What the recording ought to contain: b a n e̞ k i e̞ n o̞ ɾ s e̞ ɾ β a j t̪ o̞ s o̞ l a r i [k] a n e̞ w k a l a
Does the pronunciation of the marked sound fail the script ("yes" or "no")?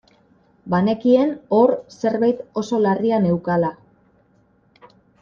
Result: yes